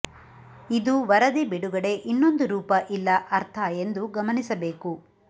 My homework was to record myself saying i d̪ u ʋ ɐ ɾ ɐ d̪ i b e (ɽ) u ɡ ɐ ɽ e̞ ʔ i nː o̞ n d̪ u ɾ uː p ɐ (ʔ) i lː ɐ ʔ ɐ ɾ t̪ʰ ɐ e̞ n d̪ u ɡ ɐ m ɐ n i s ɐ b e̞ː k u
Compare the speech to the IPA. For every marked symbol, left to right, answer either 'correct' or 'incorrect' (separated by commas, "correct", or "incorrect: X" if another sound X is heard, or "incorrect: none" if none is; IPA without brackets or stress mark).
correct, correct